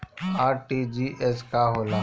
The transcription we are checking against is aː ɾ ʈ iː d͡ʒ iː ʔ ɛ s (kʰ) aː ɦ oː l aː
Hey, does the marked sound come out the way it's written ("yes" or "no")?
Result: no